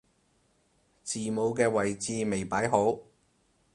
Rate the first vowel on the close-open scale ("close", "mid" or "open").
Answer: close